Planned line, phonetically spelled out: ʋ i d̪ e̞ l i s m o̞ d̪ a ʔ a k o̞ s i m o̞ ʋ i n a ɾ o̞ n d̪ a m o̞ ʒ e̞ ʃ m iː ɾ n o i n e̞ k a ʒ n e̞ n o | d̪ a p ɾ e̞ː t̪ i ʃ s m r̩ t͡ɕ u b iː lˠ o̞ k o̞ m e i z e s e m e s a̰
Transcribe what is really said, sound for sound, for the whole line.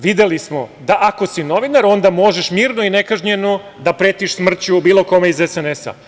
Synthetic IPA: ʋ i d̪ e̞ l i s m o̞ d̪ a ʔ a k o̞ s i n o̞ ʋ i n a ɾ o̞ n d̪ a m o̞ ʒ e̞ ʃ m iː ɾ n o i n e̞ k a ʒ ɲ e̞ n o | d̪ a p ɾ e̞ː t̪ i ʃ s m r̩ t͡ɕ u b iː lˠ o̞ k o̞ m e i z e s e n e s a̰